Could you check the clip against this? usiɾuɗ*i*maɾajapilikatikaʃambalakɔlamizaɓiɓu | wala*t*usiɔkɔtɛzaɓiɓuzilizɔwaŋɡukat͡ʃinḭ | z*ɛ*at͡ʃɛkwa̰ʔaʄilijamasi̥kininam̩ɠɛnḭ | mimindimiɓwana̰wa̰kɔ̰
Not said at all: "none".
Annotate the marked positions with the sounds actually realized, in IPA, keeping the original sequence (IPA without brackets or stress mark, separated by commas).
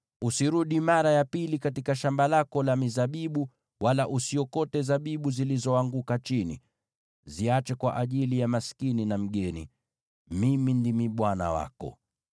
i, ʔ, i